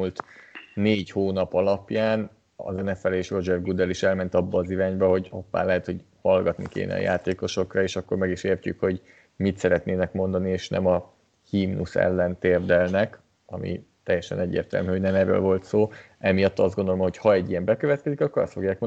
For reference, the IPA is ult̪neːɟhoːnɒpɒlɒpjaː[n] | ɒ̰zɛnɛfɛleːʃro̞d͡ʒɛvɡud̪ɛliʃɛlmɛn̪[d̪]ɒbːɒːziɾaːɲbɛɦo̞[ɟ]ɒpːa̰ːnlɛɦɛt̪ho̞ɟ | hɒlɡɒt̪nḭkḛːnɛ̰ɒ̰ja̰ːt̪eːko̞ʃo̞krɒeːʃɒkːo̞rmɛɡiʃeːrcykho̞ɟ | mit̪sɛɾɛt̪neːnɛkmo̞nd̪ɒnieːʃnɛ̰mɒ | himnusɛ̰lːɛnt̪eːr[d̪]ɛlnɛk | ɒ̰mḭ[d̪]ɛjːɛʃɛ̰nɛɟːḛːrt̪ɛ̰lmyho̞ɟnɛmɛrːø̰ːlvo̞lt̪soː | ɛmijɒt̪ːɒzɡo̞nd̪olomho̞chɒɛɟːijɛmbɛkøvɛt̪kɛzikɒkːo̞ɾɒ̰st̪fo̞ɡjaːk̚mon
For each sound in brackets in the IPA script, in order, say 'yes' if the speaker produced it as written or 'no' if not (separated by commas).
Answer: yes, no, yes, yes, no